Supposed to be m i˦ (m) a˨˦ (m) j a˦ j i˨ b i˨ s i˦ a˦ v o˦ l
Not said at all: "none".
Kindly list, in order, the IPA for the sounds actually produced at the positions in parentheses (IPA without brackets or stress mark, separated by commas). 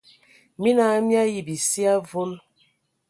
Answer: n, m